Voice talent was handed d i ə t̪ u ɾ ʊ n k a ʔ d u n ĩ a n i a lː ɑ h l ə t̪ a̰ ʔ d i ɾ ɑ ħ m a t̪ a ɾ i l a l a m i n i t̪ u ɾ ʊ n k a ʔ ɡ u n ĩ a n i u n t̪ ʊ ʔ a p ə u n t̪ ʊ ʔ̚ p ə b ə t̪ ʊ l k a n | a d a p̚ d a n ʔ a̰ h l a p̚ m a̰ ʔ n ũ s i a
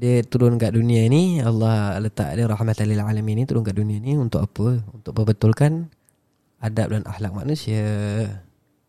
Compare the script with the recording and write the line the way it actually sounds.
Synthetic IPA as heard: d i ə t̪ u ɾ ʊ n k a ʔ d u n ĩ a n i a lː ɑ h l ə t̪ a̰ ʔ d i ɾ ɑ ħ m a t̪ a l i l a l a m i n i t̪ u ɾ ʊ n k a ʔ d u n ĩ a n i u n t̪ ʊ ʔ a p ə u n t̪ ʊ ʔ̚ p ə b ə t̪ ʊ l k a n | a d a p̚ d a n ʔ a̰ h l a k̚ m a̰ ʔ n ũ s i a